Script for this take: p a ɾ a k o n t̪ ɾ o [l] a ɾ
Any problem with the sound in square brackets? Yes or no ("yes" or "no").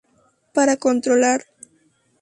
no